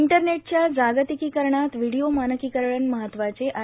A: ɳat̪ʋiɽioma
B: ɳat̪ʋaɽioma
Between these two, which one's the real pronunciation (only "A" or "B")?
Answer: A